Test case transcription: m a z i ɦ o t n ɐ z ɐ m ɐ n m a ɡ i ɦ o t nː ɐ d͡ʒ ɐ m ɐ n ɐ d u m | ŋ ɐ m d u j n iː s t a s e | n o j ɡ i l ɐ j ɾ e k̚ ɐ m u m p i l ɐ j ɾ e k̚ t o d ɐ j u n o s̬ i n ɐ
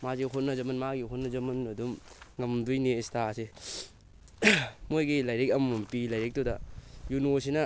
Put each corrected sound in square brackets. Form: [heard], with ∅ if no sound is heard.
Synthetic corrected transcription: m a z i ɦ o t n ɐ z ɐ m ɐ n m a ɡ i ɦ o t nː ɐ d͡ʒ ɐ m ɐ n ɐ d u m | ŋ ɐ m d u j n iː s t a s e | [m] o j ɡ i l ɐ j ɾ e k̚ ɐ m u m p i l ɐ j ɾ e k̚ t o d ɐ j u n o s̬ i n ɐ